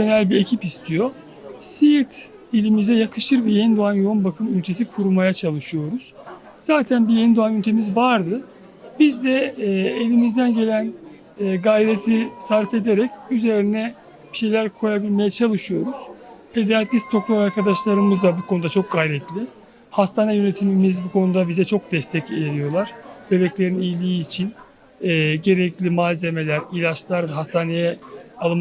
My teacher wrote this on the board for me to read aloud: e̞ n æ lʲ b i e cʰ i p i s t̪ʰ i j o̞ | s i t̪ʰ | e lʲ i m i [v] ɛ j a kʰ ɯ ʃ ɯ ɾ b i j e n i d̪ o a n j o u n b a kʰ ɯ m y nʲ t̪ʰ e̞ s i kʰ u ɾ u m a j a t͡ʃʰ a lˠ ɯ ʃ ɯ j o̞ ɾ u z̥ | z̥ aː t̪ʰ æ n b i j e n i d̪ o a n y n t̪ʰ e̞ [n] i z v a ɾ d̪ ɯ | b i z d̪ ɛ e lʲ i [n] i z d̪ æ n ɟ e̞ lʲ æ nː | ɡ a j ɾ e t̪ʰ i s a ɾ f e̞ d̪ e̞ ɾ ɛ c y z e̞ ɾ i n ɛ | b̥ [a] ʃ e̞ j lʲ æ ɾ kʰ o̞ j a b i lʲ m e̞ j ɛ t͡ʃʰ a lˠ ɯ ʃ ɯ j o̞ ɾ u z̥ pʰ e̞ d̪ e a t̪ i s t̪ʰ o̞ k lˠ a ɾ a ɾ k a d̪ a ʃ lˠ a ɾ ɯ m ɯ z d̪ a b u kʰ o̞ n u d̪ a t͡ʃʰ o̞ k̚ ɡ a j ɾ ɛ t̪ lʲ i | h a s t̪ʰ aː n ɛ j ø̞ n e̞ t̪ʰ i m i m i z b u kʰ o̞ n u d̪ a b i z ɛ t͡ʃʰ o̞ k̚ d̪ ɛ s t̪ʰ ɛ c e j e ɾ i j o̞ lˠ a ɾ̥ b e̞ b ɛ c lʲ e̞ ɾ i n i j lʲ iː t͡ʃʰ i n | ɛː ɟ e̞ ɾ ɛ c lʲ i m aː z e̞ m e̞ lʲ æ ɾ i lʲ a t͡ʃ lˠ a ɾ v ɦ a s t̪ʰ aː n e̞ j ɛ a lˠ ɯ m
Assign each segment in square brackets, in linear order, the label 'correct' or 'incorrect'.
incorrect: z, incorrect: m, incorrect: m, incorrect: i

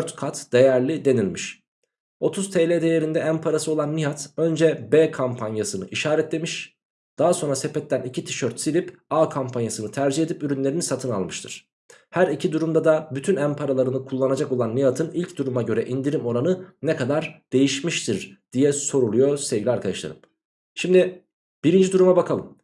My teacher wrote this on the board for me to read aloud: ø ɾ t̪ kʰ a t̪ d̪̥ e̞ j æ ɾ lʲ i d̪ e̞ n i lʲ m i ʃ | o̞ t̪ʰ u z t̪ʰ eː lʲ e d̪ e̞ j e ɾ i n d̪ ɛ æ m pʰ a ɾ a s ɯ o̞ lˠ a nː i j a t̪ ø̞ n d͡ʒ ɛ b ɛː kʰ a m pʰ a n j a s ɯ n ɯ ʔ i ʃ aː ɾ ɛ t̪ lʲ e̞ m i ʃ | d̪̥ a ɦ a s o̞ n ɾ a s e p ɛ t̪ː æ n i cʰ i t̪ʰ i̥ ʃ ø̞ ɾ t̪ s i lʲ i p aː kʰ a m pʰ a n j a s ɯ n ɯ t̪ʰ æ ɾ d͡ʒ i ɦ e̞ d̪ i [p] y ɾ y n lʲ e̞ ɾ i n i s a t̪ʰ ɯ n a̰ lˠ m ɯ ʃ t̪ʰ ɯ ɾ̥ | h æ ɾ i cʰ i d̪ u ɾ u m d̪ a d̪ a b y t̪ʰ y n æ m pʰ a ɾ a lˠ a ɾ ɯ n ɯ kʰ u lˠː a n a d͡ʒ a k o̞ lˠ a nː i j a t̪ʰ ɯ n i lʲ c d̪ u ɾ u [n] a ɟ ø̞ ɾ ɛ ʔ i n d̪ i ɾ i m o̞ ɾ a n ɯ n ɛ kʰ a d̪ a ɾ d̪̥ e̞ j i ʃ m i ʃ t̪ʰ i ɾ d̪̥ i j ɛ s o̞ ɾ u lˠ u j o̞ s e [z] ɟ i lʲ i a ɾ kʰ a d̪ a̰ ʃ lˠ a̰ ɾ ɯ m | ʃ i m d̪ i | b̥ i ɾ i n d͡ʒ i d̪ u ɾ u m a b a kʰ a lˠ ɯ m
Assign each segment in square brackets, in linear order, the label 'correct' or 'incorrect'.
correct, incorrect: m, incorrect: v

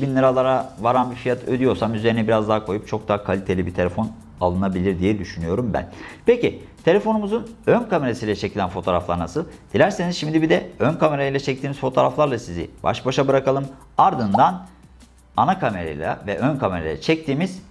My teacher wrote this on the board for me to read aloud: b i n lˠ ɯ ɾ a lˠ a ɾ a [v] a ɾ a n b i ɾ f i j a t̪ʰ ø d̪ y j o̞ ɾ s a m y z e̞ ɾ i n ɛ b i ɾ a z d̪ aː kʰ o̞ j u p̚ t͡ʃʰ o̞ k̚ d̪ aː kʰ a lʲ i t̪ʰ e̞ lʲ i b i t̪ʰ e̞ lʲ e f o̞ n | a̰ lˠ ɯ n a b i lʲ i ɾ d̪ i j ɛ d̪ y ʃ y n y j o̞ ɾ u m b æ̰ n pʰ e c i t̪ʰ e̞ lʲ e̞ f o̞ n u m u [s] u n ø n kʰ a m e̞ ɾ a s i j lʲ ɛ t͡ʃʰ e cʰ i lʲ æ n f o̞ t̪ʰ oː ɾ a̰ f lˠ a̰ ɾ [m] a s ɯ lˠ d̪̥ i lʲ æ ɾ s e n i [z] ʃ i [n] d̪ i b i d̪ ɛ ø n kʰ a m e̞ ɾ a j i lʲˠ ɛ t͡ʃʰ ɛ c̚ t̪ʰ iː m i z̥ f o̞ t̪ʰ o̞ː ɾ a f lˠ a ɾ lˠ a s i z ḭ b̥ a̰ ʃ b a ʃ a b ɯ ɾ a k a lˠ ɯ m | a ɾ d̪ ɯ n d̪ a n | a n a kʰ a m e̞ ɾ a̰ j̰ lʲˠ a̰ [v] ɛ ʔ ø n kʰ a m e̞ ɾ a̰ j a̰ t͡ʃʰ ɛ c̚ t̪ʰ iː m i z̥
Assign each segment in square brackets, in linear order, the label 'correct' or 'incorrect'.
correct, incorrect: z, incorrect: n, correct, incorrect: m, correct

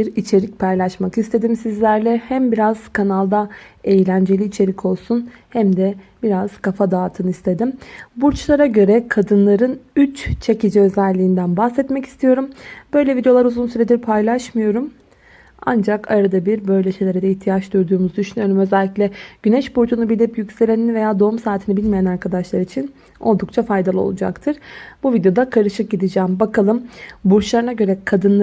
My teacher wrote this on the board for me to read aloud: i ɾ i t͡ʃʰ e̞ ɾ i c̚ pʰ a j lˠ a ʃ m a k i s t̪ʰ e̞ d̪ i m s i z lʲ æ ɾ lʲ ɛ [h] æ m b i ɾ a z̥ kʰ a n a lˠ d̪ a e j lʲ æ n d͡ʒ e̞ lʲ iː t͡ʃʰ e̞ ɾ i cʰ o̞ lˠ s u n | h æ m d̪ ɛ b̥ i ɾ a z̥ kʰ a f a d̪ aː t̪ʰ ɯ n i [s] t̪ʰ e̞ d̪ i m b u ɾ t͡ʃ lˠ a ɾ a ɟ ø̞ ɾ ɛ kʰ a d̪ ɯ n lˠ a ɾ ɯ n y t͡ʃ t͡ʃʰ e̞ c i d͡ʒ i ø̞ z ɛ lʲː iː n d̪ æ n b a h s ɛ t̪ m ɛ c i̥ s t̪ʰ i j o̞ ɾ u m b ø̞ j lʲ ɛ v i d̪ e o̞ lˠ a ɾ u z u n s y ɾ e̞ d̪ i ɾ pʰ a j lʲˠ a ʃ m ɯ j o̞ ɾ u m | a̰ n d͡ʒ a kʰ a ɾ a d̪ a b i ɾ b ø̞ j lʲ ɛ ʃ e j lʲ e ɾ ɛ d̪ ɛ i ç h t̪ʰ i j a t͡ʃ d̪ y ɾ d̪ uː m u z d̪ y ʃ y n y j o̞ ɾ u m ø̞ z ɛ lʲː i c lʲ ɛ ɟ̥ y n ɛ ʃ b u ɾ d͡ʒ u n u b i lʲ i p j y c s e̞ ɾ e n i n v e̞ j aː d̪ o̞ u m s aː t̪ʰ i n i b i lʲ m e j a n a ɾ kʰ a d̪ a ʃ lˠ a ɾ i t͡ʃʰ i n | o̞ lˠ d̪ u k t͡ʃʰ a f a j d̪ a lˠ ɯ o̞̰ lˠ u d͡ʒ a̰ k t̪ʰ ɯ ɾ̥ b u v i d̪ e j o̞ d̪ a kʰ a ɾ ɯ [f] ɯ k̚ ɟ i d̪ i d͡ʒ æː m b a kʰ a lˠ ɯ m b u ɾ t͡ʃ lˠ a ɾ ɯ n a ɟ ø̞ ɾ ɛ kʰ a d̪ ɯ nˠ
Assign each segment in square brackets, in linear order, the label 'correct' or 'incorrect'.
correct, correct, incorrect: ʃ

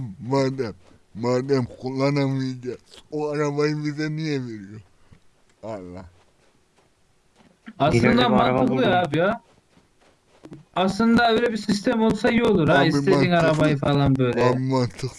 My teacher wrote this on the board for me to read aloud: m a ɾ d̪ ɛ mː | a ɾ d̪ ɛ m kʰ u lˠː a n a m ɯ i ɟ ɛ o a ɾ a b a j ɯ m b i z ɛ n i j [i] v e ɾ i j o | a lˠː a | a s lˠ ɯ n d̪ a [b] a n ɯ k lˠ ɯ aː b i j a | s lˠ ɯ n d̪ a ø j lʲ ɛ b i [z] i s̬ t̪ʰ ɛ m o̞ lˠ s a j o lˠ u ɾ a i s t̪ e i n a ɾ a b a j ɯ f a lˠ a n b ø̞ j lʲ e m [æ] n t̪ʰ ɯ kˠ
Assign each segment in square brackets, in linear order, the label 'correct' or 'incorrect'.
incorrect: ɛ, incorrect: m, incorrect: s, incorrect: a

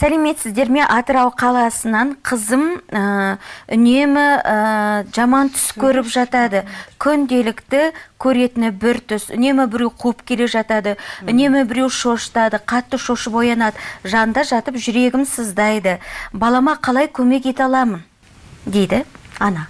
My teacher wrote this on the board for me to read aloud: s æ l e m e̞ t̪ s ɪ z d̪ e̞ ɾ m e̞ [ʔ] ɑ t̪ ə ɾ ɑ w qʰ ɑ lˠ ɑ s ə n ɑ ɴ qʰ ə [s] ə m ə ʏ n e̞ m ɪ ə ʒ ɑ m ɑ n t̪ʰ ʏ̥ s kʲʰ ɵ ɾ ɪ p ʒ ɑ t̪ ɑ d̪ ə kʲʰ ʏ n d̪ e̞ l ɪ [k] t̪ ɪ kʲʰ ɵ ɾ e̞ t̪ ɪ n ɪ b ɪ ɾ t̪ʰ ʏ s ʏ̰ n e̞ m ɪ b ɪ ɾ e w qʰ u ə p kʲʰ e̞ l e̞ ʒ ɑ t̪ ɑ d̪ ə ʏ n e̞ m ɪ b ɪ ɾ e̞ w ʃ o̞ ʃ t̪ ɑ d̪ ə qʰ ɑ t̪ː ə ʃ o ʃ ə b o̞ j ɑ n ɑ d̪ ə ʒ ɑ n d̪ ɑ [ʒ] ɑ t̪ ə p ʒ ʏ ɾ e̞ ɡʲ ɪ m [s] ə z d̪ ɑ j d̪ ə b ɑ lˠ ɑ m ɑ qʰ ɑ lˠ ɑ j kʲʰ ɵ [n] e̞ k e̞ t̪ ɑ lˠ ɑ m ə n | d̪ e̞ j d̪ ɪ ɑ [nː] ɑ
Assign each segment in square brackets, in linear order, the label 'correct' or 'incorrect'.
correct, incorrect: z, correct, correct, correct, incorrect: m, incorrect: n

